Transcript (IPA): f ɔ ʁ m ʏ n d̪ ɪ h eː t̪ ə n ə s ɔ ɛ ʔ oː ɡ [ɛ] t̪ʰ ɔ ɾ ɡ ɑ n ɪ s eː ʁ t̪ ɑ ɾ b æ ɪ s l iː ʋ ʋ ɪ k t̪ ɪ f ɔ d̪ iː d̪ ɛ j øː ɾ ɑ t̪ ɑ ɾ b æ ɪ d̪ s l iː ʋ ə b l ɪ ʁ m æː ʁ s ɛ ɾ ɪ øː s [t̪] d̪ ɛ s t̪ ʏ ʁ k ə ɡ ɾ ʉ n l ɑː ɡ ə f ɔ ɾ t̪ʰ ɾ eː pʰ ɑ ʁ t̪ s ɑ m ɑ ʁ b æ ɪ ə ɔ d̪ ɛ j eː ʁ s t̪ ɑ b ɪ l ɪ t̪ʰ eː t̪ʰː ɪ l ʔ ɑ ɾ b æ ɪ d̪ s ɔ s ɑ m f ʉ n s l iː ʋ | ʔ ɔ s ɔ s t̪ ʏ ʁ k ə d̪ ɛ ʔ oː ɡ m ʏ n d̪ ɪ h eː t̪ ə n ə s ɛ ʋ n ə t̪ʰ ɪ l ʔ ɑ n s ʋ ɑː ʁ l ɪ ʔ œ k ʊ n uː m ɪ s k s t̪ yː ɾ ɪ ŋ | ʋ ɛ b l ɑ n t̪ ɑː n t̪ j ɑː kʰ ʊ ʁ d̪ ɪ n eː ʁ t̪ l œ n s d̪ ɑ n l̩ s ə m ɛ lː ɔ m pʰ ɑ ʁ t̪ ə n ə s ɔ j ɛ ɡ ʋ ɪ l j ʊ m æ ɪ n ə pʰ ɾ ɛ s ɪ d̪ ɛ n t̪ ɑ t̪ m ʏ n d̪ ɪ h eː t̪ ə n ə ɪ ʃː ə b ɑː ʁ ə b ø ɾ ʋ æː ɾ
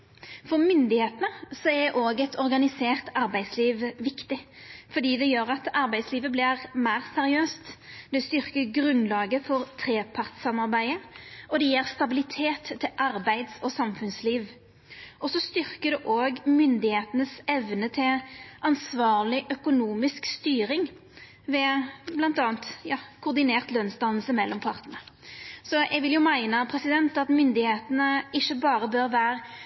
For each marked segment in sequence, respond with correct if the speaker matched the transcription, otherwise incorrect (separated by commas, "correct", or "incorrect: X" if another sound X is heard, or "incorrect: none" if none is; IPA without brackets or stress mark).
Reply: correct, correct